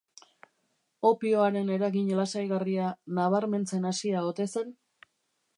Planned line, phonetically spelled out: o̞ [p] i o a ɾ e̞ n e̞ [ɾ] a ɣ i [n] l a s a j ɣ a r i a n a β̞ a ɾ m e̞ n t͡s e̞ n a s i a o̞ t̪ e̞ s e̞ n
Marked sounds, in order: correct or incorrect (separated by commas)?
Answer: correct, correct, incorrect